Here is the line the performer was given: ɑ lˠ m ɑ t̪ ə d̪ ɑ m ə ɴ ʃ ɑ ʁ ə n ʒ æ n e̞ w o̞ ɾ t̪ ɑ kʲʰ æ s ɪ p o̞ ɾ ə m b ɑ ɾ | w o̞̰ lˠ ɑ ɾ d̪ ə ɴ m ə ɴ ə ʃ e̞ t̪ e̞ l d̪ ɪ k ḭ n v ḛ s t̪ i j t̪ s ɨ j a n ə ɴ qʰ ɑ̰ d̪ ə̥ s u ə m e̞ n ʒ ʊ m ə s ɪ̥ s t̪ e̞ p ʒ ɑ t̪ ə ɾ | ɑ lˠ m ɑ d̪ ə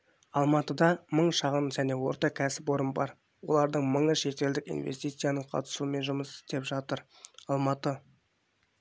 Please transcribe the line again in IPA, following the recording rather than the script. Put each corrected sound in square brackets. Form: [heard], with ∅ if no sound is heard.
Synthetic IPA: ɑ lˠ m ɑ t̪ ə d̪ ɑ m ə ɴ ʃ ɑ ʁ ə n ʒ æ n e̞ w o̞ ɾ t̪ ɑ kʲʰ æ s ɪ p o̞ ɾ ə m b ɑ ɾ | w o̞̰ lˠ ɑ ɾ d̪ ə ɴ m ə ɴ ə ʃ e̞ t̪ e̞ l d̪ ɪ k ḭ n v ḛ s t̪ i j t̪ s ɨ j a n ə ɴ qʰ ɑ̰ [t̪] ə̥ s u ə m e̞ n ʒ ʊ m ə s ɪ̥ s t̪ e̞ p ʒ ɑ t̪ ə ɾ | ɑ lˠ m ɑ [t̪] ə